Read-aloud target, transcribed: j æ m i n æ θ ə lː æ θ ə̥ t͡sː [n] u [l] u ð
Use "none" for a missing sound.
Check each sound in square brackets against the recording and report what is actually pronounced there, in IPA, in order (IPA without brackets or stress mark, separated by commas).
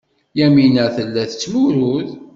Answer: m, ɾ